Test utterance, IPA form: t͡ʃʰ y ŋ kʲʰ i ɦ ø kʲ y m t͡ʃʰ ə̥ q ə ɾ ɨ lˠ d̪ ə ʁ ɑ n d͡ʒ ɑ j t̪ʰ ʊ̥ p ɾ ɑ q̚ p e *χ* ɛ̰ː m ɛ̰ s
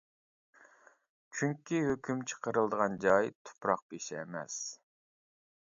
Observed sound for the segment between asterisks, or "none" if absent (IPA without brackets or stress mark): ʃ